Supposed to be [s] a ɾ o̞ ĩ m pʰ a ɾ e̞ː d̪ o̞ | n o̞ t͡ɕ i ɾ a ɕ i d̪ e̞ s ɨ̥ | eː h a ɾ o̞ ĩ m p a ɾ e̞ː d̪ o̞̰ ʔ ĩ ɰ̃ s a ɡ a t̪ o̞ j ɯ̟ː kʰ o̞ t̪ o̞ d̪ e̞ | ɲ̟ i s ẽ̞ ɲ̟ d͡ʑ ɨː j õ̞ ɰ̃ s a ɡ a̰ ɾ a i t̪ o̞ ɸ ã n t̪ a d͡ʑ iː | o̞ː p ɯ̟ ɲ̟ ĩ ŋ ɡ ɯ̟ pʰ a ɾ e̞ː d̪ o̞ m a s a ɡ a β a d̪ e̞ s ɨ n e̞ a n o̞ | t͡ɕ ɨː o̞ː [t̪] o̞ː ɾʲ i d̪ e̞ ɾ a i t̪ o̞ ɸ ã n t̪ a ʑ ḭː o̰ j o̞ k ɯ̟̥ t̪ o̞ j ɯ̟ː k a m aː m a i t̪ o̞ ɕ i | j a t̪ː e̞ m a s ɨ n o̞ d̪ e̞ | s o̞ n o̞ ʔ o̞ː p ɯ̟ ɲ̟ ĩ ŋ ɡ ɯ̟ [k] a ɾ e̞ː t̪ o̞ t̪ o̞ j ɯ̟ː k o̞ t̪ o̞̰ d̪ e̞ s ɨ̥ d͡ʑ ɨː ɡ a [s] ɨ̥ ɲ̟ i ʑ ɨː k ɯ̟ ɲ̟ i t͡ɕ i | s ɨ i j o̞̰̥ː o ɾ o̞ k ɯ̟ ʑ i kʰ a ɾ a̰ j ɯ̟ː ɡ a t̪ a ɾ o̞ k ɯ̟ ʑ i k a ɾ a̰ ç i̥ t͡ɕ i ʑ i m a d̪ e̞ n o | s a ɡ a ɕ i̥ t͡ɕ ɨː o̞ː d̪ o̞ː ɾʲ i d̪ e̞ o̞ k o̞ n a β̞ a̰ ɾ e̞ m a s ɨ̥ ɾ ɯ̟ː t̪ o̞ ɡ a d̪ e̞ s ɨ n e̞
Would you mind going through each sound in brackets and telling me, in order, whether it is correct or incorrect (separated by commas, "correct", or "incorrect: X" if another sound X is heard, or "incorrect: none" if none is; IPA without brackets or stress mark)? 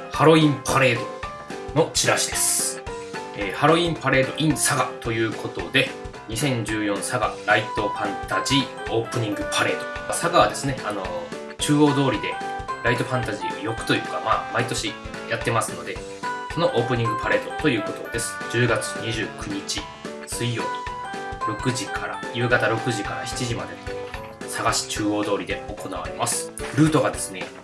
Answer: incorrect: h, incorrect: d̪, incorrect: p, incorrect: t͡s